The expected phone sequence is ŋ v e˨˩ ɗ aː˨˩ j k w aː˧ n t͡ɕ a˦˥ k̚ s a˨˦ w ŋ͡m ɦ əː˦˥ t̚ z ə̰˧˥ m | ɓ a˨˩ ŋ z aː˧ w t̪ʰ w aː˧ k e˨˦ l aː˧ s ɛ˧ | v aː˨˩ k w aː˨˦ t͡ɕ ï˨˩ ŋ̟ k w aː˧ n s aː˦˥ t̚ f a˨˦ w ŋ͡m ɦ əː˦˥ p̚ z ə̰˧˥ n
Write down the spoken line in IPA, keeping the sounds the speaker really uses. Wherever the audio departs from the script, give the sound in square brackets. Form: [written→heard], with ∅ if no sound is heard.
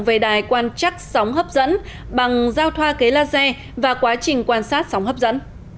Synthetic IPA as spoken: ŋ v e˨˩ ɗ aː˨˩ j k w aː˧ n t͡ɕ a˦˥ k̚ s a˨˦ w ŋ͡m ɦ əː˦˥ [t̚→p̚] z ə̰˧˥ [m→n] | ɓ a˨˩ ŋ z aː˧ w t̪ʰ w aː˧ k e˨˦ l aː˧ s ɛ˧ | v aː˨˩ k w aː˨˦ t͡ɕ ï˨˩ ŋ̟ k w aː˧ n s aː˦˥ t̚ [f→s] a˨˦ w ŋ͡m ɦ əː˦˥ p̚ z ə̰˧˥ n